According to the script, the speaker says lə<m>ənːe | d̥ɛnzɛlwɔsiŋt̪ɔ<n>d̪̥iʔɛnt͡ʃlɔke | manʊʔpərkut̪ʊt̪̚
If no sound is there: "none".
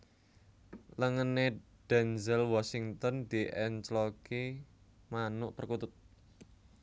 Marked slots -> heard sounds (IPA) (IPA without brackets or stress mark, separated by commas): ŋ, n